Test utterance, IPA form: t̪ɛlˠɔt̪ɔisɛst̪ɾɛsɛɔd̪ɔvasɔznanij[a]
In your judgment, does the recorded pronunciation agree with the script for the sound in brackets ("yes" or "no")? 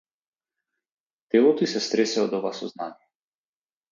no